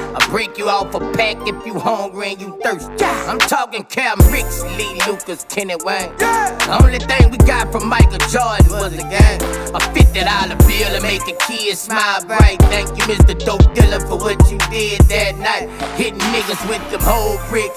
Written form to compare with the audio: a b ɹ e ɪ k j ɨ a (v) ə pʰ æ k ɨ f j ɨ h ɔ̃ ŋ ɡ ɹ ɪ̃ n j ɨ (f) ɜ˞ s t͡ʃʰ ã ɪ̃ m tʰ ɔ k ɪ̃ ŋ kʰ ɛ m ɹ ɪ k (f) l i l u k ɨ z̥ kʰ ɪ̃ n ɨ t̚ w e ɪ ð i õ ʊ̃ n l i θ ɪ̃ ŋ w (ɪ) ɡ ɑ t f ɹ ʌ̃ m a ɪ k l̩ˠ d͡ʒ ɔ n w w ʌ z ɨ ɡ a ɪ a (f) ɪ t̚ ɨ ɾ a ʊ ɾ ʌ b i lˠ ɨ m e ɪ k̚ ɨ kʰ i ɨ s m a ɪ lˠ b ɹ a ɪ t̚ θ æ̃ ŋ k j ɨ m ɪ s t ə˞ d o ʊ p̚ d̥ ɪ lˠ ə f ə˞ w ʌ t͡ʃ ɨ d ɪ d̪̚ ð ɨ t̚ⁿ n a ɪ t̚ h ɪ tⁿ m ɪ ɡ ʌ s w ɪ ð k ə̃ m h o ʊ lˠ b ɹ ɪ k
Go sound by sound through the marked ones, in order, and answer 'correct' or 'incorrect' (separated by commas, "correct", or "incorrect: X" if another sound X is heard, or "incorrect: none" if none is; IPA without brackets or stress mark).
incorrect: f, incorrect: θ, incorrect: s, incorrect: i, correct